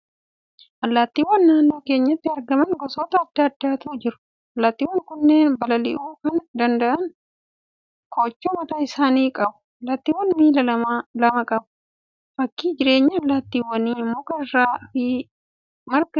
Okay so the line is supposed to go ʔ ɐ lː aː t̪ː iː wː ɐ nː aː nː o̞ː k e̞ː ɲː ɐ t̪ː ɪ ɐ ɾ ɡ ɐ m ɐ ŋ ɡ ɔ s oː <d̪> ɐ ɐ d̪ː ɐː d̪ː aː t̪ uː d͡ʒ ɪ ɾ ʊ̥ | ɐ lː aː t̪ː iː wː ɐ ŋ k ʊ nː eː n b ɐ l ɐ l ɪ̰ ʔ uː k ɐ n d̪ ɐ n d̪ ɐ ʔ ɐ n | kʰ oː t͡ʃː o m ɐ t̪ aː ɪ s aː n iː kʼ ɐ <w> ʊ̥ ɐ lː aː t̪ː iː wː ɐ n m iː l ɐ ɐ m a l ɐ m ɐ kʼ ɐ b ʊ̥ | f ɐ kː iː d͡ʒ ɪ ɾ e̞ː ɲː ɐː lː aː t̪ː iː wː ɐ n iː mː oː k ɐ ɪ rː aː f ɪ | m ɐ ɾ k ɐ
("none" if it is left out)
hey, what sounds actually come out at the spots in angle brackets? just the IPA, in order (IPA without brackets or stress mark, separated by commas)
t̪, b